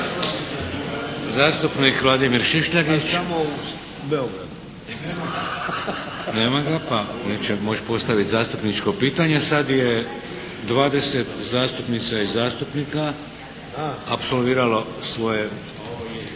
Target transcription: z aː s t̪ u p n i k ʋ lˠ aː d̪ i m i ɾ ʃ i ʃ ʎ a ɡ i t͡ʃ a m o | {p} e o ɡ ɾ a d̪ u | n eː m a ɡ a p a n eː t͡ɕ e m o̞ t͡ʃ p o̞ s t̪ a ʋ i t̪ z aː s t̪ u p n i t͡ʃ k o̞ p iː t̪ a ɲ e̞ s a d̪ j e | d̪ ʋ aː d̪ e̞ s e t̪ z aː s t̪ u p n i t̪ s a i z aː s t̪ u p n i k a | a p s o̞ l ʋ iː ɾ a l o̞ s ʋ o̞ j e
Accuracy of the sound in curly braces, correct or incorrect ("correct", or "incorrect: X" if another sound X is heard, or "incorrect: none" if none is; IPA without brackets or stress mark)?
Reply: incorrect: b